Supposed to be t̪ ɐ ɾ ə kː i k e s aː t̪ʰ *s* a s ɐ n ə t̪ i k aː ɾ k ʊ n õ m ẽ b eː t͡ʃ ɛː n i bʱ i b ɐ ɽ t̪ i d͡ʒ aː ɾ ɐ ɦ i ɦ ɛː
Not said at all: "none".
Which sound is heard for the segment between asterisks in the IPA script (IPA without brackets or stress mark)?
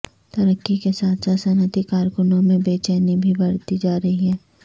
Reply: s